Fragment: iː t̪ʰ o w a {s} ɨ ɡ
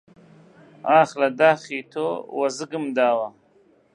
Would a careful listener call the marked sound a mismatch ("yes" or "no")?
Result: yes